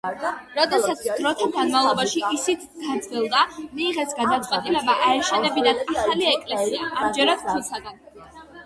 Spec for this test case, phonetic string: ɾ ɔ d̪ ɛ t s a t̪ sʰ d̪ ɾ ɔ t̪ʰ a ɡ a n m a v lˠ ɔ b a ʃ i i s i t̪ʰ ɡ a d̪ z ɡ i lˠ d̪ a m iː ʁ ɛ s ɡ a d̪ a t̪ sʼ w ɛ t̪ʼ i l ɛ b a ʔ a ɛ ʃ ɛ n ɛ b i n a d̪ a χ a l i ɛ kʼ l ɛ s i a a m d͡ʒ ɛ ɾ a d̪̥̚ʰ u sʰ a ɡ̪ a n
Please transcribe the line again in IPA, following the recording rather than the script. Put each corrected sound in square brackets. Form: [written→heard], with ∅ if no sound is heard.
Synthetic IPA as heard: ɾ ɔ d̪ ɛ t s a t̪ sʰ d̪ ɾ ɔ t̪ʰ a ɡ a n m a v lˠ ɔ b a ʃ i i s i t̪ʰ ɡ a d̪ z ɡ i lˠ d̪ a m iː ʁ ɛ s ɡ a d̪ a t̪ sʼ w ɛ t̪ʼ i l ɛ b a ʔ a ɛ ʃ ɛ n ɛ b i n a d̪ a χ a l i ɛ kʼ l ɛ s i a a m d͡ʒ ɛ ɾ a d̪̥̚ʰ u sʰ a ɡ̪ a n